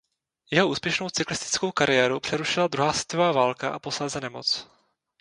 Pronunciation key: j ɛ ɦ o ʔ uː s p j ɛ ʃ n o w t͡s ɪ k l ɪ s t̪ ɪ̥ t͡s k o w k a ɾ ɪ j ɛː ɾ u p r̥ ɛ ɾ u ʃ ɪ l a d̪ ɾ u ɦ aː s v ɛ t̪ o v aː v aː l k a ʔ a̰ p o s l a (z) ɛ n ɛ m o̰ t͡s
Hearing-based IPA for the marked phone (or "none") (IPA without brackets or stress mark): z